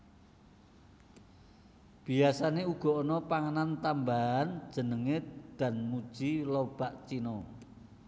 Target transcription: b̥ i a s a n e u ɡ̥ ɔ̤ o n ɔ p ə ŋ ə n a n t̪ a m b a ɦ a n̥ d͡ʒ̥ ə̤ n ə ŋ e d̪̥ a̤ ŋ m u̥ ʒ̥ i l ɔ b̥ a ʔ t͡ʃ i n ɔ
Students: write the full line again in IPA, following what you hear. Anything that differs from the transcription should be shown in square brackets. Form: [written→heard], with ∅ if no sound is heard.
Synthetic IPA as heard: b̥ i a s a n e u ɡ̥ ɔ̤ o n ɔ p [ə→a] ŋ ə n a n t̪ a m b a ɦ a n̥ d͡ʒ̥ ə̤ n ə ŋ e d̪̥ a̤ [ŋ→n] m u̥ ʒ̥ i l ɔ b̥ a ʔ t͡ʃ i n ɔ